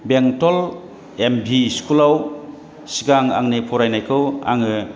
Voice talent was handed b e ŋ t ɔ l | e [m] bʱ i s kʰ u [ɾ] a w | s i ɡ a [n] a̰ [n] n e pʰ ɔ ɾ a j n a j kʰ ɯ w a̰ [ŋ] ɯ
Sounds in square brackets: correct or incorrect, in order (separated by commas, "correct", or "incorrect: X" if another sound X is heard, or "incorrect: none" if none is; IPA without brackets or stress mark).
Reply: correct, incorrect: l, incorrect: ŋ, incorrect: ŋ, correct